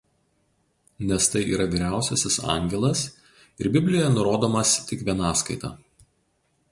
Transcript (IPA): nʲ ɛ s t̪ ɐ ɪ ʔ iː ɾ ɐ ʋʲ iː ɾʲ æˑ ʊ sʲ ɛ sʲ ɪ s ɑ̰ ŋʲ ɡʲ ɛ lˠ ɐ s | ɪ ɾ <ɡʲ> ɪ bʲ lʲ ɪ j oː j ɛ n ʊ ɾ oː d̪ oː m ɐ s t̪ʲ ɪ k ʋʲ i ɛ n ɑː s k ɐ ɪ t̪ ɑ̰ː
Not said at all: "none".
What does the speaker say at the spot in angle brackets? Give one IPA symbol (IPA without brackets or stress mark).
bʲ